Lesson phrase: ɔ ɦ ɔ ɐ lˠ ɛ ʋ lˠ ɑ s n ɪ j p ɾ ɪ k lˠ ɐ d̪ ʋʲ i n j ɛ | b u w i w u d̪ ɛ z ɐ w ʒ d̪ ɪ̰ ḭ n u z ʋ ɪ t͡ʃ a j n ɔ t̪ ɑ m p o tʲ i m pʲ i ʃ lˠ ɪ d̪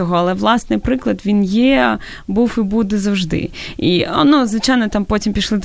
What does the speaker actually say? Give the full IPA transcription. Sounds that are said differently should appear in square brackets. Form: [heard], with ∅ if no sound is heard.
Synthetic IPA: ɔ ɦ ɔ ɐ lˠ ɛ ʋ lˠ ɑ s n ɪ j p ɾ ɪ k lˠ ɐ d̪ ʋʲ i n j ɛ | b u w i [b] u d̪ ɛ z ɐ w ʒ d̪ ɪ̰ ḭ n u z ʋ ɪ t͡ʃ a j n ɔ t̪ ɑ m p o tʲ i m pʲ i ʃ lˠ ɪ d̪